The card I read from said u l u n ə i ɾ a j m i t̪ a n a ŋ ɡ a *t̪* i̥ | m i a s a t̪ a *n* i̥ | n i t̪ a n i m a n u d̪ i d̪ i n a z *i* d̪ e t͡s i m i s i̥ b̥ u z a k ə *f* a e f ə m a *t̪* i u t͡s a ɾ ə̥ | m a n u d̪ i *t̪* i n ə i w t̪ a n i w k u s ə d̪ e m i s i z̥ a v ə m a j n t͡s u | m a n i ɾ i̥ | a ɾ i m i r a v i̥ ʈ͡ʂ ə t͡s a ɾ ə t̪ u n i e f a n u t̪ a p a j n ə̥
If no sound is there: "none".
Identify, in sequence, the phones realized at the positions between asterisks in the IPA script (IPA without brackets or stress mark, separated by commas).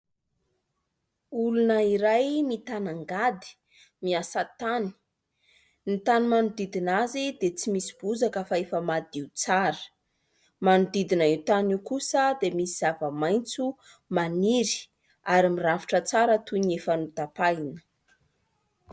d̪, n, i, f, d̪, d̪